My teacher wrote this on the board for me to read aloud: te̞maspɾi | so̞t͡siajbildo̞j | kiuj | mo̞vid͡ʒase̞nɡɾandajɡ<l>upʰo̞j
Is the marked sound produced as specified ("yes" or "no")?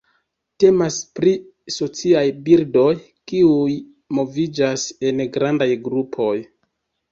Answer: no